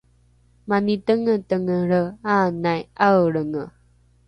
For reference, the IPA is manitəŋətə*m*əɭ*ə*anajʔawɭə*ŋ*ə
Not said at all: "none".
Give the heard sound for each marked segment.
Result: ŋ, ə, ŋ

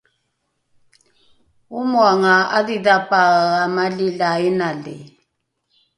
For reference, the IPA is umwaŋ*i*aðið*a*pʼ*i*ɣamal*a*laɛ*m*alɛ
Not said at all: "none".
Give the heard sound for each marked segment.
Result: a, a, a, i, n

